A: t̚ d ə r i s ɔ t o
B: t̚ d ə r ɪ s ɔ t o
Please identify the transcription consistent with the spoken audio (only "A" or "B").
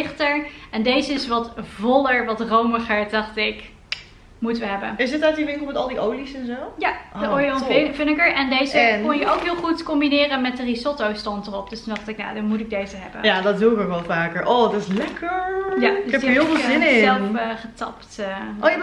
A